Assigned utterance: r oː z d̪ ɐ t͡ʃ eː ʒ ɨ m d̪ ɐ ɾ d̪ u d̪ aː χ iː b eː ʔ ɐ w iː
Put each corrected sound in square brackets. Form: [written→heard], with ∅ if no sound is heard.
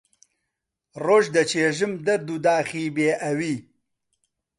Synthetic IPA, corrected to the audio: r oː [z→ʒ] d̪ ɐ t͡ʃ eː ʒ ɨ m d̪ ɐ ɾ d̪ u d̪ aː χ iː b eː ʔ ɐ w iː